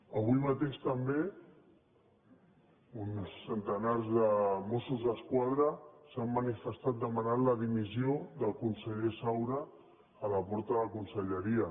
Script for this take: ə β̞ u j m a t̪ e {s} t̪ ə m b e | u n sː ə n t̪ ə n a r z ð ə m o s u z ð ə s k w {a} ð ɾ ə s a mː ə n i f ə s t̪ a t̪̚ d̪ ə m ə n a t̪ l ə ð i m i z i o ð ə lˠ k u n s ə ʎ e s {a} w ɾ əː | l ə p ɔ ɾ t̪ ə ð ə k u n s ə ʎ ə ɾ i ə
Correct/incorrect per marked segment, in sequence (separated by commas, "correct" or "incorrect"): incorrect, correct, correct